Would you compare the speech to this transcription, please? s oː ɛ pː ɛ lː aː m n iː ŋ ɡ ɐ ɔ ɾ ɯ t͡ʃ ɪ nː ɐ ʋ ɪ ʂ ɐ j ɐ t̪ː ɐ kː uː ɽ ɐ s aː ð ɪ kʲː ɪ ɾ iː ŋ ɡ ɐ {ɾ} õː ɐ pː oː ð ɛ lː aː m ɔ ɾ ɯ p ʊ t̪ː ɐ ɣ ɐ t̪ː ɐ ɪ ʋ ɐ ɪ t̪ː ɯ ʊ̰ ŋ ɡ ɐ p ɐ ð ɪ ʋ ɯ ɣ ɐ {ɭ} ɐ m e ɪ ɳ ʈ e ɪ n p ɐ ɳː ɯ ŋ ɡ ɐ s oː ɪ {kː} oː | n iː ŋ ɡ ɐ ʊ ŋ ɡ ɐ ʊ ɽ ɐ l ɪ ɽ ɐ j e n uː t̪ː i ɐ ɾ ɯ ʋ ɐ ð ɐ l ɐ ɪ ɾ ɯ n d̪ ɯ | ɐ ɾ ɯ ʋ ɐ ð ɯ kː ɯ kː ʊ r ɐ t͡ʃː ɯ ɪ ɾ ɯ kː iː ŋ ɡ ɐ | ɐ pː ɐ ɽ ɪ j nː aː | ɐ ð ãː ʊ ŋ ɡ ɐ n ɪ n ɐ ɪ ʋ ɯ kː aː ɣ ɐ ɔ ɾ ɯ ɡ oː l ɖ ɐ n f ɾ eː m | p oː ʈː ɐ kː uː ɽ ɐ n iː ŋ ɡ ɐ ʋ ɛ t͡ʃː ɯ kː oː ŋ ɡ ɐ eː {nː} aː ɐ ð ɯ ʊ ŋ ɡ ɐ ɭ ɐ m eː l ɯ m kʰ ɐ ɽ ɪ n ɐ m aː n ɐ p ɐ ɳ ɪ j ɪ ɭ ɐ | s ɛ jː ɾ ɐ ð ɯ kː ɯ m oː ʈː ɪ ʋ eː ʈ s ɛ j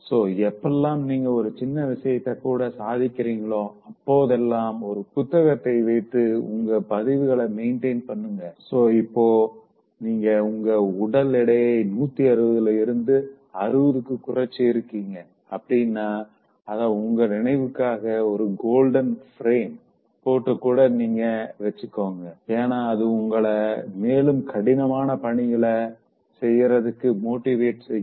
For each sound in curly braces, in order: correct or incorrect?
incorrect: ɭ, correct, incorrect: pː, incorrect: n

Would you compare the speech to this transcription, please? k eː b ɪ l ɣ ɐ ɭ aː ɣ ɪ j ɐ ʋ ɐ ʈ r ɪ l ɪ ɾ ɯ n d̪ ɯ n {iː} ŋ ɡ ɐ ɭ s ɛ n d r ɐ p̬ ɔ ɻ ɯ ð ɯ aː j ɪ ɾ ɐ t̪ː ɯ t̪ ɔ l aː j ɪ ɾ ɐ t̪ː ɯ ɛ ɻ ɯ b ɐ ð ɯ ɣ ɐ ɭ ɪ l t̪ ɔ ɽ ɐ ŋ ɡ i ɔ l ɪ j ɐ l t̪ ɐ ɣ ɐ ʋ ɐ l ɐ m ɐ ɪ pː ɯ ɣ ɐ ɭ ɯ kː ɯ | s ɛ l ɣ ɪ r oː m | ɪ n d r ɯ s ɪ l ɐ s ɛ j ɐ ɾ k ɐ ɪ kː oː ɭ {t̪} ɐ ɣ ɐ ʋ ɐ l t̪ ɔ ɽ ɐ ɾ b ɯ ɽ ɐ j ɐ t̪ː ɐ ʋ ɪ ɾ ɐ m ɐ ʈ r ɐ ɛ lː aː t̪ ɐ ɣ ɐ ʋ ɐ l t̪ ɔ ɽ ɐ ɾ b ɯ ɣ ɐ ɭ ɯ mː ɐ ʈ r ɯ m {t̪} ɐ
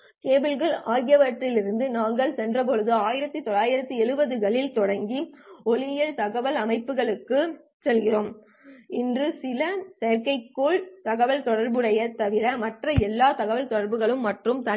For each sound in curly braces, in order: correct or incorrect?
incorrect: aː, correct, correct

